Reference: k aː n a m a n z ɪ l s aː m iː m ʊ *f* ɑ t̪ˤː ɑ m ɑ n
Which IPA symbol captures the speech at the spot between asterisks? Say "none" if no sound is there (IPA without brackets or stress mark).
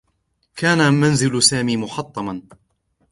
ħ